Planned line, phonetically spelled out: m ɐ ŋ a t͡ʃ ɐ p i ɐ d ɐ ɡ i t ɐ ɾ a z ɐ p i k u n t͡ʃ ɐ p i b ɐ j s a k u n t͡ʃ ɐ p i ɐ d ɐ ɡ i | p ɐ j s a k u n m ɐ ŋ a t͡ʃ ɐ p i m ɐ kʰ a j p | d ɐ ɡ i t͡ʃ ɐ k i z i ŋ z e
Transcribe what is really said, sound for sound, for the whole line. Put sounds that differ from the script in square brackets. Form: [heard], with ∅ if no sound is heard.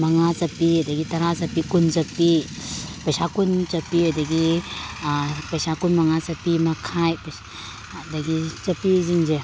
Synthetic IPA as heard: m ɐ ŋ a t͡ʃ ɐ p i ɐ d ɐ ɡ i t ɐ ɾ a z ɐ p i k u n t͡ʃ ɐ p i [p] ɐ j s a k u n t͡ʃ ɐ p i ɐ d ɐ ɡ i | p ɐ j s a k u n m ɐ ŋ a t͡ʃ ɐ p i m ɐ kʰ a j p | d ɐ ɡ i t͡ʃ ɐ [p] i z i ŋ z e